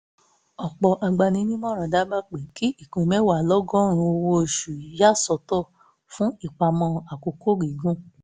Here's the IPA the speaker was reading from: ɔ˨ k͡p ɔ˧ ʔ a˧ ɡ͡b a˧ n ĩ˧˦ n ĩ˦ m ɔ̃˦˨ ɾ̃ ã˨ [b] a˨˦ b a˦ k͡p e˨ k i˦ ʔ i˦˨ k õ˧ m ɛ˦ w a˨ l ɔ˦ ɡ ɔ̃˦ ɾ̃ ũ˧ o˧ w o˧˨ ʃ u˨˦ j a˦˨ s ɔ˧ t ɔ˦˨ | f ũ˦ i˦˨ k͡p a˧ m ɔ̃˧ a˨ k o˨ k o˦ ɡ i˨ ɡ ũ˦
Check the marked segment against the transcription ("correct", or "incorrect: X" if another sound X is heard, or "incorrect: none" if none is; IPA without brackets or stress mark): incorrect: d